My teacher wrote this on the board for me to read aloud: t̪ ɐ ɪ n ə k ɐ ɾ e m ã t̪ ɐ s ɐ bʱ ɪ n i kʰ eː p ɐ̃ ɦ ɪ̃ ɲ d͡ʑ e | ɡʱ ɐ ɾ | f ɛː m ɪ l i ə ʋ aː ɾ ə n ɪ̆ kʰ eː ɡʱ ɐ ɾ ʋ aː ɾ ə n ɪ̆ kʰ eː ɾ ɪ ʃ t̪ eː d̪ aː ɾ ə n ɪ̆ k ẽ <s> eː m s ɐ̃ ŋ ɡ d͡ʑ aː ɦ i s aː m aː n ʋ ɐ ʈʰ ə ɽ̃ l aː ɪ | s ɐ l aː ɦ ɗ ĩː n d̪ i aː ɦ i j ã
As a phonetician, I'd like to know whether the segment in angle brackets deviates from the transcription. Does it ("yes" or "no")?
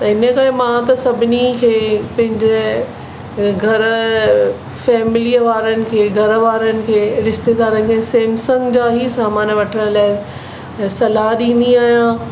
no